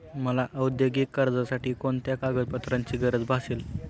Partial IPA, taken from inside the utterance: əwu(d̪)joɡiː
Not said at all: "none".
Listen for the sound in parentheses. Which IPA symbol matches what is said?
d̪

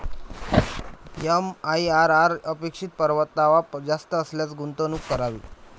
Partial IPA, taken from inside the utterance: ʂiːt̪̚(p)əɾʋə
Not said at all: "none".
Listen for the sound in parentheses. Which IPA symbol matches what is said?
p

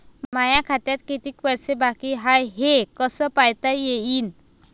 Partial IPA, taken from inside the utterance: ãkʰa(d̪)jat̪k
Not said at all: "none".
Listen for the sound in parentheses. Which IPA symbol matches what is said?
t̪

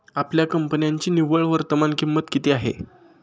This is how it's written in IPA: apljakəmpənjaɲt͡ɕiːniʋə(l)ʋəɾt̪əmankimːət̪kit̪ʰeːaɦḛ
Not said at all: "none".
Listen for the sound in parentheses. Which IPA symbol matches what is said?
ɭ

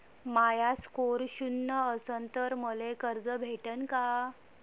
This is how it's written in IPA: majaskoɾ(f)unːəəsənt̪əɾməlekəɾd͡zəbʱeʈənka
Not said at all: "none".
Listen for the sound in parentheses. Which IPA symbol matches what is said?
ɕ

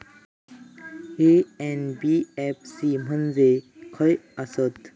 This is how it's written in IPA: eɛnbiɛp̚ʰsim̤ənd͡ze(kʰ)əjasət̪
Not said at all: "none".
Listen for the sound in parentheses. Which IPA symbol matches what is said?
kʰ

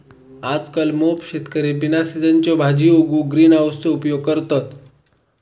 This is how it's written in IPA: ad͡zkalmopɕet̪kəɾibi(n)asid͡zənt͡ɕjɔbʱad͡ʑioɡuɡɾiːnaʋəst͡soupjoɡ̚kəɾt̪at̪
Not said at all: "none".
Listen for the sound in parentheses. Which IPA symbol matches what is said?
n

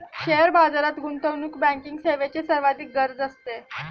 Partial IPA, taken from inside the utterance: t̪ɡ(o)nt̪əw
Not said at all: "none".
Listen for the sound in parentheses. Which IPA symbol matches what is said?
u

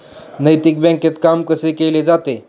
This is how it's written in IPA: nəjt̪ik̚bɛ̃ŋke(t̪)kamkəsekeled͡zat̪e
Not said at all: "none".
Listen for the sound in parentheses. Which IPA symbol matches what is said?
t̪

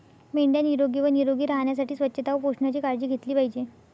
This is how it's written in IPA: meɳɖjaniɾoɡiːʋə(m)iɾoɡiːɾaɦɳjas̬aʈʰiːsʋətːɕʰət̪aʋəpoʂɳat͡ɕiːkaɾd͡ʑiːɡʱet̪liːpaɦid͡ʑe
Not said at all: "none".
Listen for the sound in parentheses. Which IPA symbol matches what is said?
n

